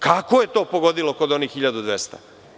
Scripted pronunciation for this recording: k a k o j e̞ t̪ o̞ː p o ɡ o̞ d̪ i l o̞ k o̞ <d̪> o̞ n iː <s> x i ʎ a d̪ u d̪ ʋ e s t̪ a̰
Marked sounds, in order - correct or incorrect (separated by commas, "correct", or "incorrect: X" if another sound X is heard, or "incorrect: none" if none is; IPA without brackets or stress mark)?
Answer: correct, incorrect: x